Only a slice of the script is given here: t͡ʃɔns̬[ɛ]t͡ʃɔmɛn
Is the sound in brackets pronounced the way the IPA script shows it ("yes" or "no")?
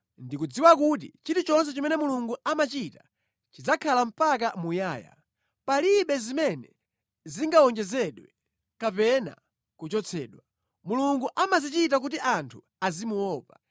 yes